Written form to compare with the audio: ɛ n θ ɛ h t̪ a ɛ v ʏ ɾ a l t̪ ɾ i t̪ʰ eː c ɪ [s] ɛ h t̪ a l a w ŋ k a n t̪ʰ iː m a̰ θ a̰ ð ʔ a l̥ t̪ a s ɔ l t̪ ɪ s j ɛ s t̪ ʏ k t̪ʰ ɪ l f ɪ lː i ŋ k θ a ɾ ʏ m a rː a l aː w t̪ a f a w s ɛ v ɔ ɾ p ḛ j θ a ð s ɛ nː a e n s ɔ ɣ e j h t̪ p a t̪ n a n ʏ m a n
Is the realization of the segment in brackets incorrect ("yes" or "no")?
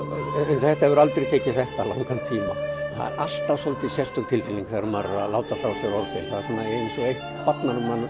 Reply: yes